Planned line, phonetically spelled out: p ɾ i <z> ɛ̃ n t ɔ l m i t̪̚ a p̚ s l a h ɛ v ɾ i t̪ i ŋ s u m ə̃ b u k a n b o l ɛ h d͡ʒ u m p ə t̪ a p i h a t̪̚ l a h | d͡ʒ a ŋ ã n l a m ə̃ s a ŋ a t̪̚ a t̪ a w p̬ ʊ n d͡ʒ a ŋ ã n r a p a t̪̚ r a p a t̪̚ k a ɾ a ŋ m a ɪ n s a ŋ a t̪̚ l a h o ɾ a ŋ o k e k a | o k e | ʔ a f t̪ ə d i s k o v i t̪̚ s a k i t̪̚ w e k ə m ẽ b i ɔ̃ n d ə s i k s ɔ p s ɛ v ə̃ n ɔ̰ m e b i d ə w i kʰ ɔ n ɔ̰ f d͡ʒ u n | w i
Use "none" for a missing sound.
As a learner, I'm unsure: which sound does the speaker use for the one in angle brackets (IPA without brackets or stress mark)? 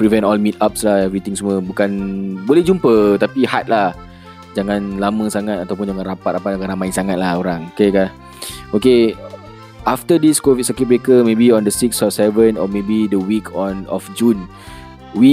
v